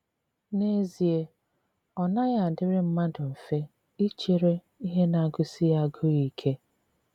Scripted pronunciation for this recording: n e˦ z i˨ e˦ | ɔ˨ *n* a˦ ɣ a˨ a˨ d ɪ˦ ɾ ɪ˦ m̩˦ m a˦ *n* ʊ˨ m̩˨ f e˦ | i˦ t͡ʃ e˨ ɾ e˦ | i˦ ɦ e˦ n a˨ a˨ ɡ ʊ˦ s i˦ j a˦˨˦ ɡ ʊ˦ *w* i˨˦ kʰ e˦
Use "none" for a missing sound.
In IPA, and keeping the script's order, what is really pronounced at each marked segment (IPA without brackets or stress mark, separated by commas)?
n, d, ɣ